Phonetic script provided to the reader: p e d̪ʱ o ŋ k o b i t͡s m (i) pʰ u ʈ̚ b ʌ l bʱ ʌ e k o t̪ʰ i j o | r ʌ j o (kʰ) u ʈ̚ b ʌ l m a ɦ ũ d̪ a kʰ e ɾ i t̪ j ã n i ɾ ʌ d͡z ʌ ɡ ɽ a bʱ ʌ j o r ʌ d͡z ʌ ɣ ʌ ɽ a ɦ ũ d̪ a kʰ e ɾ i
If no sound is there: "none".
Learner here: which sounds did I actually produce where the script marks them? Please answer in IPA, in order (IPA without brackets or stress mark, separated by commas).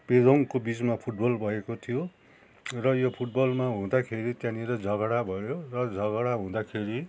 a, pʰ